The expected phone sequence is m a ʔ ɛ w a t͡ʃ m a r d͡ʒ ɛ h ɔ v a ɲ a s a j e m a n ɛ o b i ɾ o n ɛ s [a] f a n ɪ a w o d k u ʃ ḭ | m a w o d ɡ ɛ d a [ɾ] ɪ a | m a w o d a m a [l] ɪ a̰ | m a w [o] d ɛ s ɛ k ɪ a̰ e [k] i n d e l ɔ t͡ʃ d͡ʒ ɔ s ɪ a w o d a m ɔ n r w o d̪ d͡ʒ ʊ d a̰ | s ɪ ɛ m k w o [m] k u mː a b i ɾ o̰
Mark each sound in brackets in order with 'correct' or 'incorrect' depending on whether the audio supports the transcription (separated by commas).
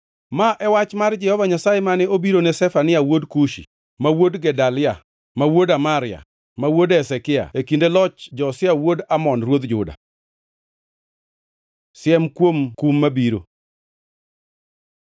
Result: incorrect, incorrect, incorrect, correct, correct, correct